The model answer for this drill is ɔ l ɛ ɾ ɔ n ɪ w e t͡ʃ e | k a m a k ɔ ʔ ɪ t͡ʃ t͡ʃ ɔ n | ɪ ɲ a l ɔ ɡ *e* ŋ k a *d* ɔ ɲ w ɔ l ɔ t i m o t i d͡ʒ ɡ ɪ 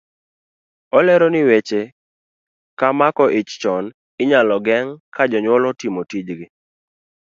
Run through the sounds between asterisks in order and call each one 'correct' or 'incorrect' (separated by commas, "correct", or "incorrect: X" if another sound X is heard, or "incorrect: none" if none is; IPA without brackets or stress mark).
incorrect: ɛ, incorrect: d͡ʒ